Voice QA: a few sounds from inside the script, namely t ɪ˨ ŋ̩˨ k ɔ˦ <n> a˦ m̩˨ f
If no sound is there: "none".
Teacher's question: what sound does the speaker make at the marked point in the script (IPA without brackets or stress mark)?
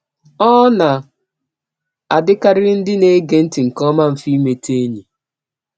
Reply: m